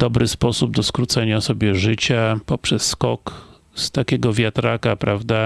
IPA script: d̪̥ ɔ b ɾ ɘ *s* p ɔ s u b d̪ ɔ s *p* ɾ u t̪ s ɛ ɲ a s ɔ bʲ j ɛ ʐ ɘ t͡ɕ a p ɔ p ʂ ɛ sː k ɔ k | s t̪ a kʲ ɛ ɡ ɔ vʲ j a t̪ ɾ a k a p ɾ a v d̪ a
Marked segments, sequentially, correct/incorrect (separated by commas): correct, incorrect